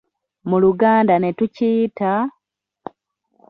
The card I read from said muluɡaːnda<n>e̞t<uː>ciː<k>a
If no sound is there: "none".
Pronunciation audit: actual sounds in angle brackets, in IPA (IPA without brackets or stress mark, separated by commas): n, u, t